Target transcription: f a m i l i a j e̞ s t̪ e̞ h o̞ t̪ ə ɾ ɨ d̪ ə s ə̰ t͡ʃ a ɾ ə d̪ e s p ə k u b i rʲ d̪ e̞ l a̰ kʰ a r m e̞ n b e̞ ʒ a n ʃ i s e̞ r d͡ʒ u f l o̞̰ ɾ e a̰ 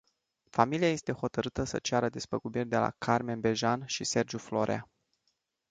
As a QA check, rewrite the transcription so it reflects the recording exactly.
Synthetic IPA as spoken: f a m i l i a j e̞ s t̪ e̞ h o̞ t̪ ə ɾ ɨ t̪ ə s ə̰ t͡ʃ a ɾ ə d̪ e s p ə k u b i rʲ d̪ e̞ l a̰ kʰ a r m e̞ n b e̞ ʒ a n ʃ i s e̞ r d͡ʒ u f l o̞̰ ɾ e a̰